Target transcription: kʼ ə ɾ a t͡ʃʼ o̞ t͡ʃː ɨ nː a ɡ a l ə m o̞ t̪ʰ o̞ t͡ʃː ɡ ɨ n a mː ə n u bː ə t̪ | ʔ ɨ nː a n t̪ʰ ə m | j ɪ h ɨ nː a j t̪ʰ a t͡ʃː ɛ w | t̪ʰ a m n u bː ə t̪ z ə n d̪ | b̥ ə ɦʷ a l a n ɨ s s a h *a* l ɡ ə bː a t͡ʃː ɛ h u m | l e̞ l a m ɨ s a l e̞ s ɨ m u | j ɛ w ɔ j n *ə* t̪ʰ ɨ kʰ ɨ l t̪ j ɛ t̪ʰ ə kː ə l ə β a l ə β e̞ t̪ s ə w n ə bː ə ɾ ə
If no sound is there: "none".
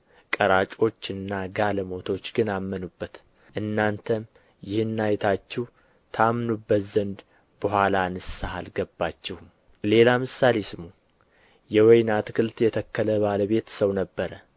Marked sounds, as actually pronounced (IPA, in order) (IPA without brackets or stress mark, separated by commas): a, a